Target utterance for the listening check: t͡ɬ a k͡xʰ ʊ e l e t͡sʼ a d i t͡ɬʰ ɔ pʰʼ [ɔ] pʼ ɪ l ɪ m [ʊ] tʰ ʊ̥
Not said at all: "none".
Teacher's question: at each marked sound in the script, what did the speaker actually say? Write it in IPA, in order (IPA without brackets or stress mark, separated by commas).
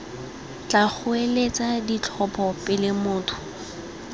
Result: ɔ, ʊː